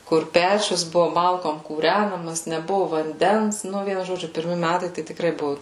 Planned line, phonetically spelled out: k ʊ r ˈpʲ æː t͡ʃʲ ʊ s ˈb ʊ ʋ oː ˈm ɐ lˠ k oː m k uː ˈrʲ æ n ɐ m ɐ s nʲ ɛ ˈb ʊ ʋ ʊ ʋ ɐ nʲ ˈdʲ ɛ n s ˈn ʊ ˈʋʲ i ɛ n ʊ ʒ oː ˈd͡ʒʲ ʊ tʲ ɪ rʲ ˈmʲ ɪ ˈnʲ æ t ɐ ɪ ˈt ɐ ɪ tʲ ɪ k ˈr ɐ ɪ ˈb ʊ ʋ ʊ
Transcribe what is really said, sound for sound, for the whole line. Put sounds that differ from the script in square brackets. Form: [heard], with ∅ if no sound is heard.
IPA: k ʊ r ˈpʲ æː t͡ʃʲ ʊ s ˈb ʊ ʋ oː ˈm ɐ lˠ k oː m k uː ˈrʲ æ n ɐ m ɐ s nʲ ɛ ˈb ʊ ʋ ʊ ʋ ɐ nʲ ˈdʲ ɛ n s ˈn ʊ ˈʋʲ i ɛ n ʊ ʒ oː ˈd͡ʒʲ ʊ [pʲ] ɪ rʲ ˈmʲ ɪ [ˈmʲ] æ t ɐ ɪ ˈt ɐ ɪ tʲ ɪ k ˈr ɐ ɪ ˈb ʊ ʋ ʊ